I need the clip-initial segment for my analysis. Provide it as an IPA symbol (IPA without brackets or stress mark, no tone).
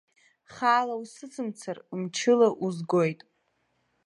χ